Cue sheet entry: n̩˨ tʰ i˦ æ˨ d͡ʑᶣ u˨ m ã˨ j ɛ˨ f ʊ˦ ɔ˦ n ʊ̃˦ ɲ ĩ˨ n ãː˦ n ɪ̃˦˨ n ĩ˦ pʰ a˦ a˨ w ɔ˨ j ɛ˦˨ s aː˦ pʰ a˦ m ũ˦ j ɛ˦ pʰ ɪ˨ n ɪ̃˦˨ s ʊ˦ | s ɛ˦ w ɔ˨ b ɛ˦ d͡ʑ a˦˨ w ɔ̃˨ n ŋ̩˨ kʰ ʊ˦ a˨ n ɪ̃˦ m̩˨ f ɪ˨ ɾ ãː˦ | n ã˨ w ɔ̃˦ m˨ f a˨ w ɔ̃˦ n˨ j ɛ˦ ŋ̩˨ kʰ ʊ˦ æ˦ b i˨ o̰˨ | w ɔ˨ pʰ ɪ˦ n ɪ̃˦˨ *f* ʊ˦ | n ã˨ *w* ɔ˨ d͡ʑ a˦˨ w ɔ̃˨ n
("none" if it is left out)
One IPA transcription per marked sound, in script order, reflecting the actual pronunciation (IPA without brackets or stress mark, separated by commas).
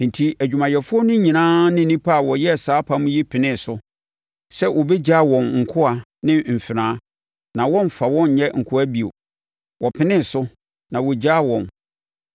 s, w